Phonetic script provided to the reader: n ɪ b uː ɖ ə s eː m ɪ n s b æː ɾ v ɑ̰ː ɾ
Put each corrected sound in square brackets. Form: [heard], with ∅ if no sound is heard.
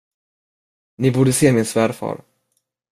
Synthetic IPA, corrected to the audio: n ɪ b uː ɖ ə s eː m ɪ n s [v] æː ɾ [f] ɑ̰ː ɾ